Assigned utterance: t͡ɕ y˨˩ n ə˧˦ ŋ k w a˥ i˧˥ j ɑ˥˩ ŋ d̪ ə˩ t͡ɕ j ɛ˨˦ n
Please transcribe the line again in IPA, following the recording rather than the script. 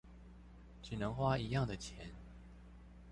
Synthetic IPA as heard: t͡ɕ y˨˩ n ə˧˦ ŋ x w a˥ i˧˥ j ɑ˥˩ ŋ d̪ ə˩ t͡ɕʰ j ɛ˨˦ n